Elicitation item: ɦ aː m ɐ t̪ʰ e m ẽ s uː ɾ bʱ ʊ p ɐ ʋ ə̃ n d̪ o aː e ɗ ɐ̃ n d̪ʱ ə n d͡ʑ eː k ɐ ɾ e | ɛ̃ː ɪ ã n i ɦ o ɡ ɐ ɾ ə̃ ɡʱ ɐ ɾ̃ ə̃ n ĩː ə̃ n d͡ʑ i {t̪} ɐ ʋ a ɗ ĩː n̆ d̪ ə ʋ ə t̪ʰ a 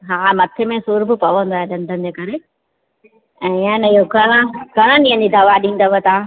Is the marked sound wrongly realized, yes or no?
yes